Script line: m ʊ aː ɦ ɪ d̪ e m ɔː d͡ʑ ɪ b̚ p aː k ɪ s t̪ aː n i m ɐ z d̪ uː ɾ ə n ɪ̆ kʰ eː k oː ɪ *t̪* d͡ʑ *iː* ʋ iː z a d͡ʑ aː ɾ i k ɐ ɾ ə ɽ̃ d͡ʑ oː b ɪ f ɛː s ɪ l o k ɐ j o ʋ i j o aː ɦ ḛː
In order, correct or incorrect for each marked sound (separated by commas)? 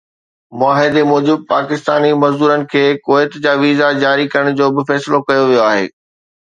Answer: correct, incorrect